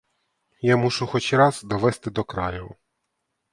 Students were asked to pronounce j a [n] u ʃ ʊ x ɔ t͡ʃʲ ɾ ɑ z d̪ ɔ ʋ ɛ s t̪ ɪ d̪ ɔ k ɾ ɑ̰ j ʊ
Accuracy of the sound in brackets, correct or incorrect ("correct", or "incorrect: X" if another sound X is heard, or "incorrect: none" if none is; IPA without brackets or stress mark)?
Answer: incorrect: m